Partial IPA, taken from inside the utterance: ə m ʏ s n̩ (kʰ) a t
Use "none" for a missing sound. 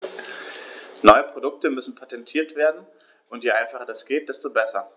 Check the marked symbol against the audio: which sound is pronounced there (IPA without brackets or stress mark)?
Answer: pʰ